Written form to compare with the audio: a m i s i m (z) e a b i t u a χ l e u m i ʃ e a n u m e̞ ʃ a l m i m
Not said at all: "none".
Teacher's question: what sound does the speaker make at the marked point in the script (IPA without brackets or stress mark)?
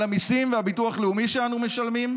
v